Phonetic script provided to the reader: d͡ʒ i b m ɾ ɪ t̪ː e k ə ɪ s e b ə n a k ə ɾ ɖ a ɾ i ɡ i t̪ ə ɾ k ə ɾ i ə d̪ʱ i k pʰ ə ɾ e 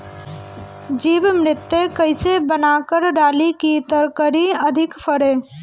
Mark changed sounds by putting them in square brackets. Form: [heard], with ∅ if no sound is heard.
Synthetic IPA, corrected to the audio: d͡ʒ i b m ɾ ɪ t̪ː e k ə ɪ s e b ə n a k ə ɾ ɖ a [l] i [k] i t̪ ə ɾ k ə ɾ i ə d̪ʱ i k pʰ ə ɾ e